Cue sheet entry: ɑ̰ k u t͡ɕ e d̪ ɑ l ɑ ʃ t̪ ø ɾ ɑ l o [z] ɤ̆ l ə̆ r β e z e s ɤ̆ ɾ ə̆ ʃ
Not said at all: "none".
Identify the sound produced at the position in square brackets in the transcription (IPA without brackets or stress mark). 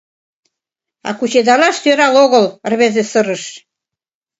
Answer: ɣ